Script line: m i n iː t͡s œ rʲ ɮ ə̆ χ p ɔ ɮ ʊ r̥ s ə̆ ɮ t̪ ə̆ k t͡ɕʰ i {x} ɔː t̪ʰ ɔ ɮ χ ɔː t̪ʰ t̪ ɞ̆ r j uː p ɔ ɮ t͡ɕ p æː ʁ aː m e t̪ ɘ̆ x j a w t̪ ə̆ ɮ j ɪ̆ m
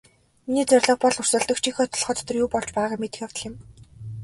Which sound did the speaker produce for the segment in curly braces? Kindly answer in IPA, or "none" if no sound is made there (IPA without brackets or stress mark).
x